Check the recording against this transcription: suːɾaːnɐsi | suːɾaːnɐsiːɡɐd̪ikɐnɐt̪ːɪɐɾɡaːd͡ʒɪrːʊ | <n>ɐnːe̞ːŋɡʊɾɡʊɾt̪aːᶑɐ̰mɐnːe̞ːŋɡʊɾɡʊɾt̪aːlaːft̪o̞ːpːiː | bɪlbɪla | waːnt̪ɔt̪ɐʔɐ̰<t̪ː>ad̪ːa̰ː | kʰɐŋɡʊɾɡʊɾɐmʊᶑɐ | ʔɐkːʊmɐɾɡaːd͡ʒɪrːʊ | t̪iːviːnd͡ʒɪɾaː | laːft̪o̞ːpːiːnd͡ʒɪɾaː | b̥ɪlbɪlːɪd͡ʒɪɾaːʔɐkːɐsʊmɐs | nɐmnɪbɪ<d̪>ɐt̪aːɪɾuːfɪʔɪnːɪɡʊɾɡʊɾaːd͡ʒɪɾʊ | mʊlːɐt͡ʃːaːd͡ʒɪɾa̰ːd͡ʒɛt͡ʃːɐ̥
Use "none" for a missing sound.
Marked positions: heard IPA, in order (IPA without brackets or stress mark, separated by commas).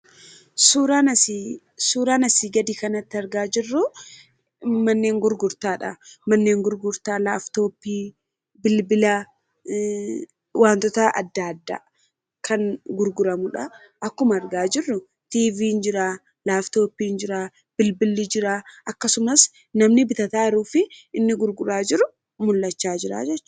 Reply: m, d̪ː, t̪